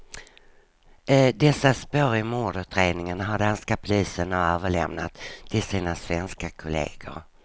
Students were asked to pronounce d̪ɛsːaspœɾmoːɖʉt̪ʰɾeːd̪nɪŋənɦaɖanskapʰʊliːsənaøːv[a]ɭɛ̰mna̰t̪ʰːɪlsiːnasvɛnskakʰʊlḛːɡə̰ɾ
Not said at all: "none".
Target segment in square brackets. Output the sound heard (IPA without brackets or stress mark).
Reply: ə